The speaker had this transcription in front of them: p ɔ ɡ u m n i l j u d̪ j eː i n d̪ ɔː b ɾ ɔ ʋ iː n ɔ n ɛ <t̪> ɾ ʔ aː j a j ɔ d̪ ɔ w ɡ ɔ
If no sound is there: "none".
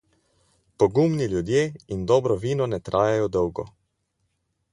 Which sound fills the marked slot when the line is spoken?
t̪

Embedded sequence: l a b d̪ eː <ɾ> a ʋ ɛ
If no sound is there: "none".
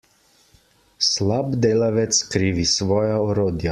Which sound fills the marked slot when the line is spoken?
l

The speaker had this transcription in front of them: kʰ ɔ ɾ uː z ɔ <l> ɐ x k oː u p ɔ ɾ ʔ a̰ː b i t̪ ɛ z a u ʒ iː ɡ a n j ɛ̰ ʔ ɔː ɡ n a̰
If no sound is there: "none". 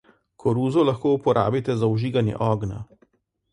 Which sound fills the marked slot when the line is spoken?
l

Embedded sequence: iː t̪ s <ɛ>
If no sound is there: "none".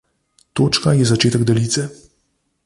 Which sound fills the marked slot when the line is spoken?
ɛ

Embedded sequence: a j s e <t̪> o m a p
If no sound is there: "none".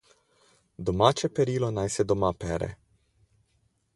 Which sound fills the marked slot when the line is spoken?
d̪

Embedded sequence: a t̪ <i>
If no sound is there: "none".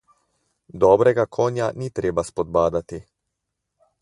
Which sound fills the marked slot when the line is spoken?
i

